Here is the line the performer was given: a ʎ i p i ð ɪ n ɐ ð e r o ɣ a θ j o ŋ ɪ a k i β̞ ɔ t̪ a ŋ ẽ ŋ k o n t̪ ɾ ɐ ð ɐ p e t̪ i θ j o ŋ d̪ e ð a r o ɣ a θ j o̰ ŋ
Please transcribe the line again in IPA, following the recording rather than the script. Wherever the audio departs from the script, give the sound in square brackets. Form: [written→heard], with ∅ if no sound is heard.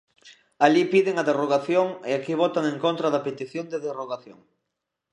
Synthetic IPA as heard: a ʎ i p i ð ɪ [n→ŋ] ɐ ð e r o ɣ a θ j o ŋ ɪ a k i β̞ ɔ t̪ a ŋ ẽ ŋ k o n t̪ ɾ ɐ ð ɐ p e t̪ i θ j o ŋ d̪ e ð [a→e] r o ɣ a θ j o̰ ŋ